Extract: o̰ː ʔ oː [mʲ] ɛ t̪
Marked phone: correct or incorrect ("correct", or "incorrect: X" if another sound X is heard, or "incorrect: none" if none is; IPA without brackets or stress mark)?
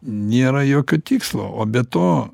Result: incorrect: bʲ